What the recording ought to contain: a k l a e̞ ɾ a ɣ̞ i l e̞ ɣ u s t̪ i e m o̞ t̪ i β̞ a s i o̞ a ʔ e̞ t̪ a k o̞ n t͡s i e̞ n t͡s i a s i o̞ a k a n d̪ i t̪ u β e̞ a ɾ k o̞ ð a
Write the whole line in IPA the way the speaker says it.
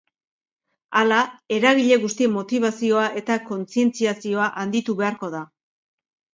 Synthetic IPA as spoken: a l a e̞ ɾ a ɣ̞ i ʎ e̞ ɣ u s t̪ i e m o̞ t̪ i β̞ a s i o̞ a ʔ e̞ t̪ a k o̞ n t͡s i e̞ n t͡s i a s i o̞ a ʔ a n d̪ i t̪ u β e̞ a ɾ k o̞ ð a

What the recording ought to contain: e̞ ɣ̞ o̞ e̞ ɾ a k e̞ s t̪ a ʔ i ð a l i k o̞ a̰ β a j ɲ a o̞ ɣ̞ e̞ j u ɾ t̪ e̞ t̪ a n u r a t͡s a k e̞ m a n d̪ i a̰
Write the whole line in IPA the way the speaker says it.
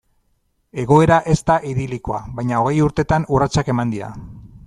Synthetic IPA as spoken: e̞ ɣ̞ o̞ e̞ ɾ a ʔ e̞ s t̪ a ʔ i ð i l i k o̞ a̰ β a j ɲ a o̞ ɣ̞ e̞ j u ɾ t̪ e̞ t̪ a n u r a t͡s a k e̞ m a n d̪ i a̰

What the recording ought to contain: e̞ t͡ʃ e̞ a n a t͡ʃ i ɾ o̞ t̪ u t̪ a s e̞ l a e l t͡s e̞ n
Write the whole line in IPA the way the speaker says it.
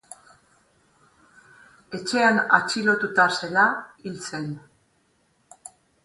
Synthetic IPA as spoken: e̞ t͡ʃ e̞ a n a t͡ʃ i l o̞ t̪ u t̪ a s e̞ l a i l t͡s e̞ n

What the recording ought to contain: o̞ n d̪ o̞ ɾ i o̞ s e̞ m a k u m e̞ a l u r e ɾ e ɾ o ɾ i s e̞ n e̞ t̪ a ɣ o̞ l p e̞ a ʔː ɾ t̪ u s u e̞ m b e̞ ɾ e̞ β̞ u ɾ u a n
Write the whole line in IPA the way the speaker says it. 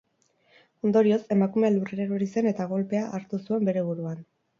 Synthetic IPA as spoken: o̞ n d̪ o̞ ɾ i o̞ s e̞ m a k u m e̞ a l u r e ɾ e ɾ o ɾ i s e̞ n e̞ t̪ a ɣ o̞ l p e̞ a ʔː ɾ t̪ u s u e̞ m b e̞ ɾ e̞ β̞ u ɾ u a n

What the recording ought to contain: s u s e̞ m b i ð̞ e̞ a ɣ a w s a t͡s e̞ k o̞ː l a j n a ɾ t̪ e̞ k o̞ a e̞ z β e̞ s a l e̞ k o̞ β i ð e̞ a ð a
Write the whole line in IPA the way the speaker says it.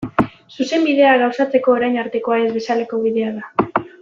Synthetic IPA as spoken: s u s e̞ m b i ð̞ e̞ a ɣ a w s a t͡s e̞ k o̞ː ɾ a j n a ɾ t̪ e̞ k o̞ a e̞ z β e̞ s a l e̞ k o̞ β i ð e̞ a ð a

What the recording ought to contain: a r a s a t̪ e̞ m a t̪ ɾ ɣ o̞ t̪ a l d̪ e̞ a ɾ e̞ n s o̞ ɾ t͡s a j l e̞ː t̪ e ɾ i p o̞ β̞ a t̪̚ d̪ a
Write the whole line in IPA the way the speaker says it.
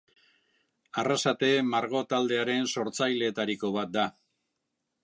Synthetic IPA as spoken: a r a s a t̪ e̞ m a ɾ ɣ o̞ t̪ a l d̪ e̞ a ɾ e̞ n s o̞ ɾ t͡s a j l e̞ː t̪ a ɾ i k o̞ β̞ a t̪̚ d̪ a

